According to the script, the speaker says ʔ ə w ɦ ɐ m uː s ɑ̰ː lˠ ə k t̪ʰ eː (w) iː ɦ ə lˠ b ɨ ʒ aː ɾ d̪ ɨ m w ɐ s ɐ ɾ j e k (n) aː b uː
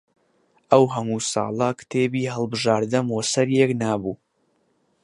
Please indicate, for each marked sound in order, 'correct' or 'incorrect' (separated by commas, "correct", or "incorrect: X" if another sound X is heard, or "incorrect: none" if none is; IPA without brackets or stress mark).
incorrect: b, correct